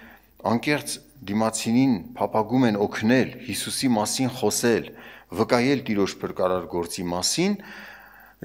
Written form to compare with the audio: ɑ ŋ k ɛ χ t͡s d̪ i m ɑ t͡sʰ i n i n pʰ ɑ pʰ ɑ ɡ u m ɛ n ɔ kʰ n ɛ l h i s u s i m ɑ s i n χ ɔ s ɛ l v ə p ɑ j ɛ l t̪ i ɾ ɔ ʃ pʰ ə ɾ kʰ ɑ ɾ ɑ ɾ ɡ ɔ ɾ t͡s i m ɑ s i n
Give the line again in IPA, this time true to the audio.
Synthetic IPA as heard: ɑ ŋ k ɛ χ t͡s d̪ i m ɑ t͡sʰ i n i n pʰ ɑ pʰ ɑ ɡ u m ɛ n ɔ kʰ n ɛ l h i s u s i m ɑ s i n χ ɔ s ɛ l v ə k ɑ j ɛ l t̪ i ɾ ɔ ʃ pʰ ə ɾ k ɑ ɾ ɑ ɾ ɡ ɔ ɾ t͡s i m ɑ s i n